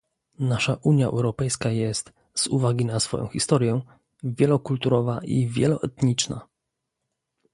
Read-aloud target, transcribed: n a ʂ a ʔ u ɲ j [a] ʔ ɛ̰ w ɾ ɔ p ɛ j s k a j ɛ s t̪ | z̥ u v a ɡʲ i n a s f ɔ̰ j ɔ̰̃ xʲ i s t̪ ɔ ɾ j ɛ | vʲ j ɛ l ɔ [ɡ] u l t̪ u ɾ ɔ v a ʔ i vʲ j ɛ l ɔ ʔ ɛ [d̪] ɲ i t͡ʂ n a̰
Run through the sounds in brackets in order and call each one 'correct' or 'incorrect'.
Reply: correct, incorrect, incorrect

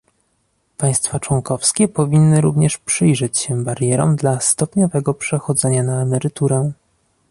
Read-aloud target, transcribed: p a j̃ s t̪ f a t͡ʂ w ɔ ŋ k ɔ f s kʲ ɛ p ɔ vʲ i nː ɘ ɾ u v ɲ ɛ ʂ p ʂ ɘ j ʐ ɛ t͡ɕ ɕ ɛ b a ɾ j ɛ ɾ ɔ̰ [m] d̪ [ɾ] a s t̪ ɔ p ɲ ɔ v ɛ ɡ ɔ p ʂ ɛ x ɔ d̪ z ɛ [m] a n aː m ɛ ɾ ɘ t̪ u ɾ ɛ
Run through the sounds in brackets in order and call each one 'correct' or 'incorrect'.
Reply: correct, incorrect, incorrect

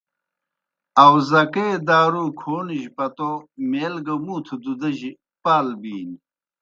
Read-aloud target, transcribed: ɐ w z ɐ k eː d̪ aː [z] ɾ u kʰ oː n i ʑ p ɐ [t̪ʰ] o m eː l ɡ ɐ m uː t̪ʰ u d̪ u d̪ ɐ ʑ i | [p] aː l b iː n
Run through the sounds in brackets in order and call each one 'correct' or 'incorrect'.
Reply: incorrect, incorrect, correct

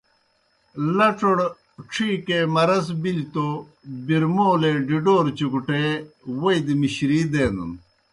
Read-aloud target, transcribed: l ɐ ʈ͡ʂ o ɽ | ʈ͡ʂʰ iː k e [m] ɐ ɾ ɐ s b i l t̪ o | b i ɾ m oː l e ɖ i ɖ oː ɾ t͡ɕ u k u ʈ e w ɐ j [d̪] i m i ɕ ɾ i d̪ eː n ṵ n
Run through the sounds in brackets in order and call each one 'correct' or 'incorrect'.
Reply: correct, correct

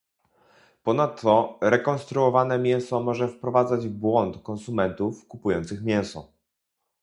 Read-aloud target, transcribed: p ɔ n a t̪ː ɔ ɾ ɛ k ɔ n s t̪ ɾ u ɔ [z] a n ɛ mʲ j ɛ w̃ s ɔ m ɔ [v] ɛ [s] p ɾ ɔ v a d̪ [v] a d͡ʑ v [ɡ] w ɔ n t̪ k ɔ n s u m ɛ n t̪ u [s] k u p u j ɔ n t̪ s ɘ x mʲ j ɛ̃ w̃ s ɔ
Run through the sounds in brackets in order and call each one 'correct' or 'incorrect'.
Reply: incorrect, incorrect, incorrect, incorrect, incorrect, incorrect

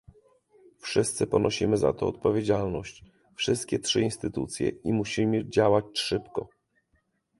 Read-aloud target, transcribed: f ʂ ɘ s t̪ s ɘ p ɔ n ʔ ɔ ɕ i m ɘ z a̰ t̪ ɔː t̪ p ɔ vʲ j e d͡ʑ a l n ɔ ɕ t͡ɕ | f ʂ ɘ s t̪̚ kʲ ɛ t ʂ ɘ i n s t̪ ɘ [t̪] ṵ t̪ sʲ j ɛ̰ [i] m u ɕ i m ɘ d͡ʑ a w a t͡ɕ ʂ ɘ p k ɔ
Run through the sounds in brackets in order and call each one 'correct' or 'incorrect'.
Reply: correct, correct

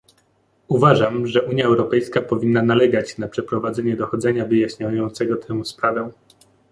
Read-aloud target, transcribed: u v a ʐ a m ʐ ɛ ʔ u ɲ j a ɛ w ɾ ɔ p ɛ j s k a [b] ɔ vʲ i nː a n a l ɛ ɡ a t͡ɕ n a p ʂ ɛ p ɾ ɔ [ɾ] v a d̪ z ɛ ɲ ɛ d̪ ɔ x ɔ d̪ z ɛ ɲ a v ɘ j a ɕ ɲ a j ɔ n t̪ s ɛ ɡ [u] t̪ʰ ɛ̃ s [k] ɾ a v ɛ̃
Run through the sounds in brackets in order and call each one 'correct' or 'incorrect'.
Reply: incorrect, incorrect, incorrect, incorrect

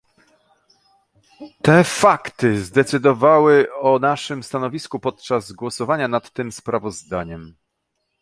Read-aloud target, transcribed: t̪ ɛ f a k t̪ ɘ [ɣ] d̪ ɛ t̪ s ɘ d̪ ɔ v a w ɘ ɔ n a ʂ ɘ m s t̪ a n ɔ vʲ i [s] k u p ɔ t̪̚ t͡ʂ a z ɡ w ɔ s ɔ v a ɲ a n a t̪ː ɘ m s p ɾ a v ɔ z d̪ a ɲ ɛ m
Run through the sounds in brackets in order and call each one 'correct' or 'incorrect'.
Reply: incorrect, correct

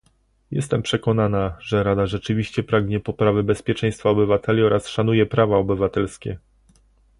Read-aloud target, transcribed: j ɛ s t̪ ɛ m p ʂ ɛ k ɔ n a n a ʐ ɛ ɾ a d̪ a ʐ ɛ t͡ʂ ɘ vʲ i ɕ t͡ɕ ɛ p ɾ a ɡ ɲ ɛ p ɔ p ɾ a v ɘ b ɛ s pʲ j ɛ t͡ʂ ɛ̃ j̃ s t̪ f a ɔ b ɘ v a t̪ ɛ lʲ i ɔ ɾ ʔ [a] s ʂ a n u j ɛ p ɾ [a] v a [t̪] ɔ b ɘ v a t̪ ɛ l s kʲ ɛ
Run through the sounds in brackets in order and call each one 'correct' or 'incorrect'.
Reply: correct, correct, incorrect

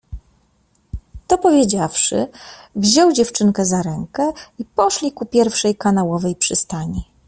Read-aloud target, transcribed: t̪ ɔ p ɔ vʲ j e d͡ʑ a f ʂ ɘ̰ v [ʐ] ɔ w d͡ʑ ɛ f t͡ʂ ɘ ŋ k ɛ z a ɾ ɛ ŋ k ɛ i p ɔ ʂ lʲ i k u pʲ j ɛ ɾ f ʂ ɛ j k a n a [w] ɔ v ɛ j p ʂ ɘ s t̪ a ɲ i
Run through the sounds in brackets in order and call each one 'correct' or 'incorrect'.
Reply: incorrect, correct

